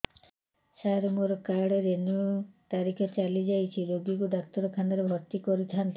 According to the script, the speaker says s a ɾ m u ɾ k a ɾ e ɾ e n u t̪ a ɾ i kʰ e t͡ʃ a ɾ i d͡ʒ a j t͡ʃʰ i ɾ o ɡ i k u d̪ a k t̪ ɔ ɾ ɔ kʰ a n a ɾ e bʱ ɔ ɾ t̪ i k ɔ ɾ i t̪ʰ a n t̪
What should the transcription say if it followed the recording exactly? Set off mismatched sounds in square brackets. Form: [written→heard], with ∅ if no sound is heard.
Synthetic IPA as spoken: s a ɾ m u ɾ k a [ɾ→ɽ] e ɾ e n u t̪ a ɾ i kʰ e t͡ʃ a [ɾ→l] i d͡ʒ a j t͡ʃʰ i ɾ o ɡ i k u d̪ a k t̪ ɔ ɾ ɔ kʰ a n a ɾ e bʱ ɔ ɾ t̪ i k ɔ ɾ i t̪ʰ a n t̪